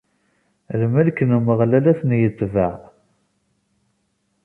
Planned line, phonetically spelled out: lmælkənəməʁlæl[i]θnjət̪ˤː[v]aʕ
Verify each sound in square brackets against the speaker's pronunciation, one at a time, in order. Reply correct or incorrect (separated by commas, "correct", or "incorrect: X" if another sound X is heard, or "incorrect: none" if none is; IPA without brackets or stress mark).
incorrect: æ, correct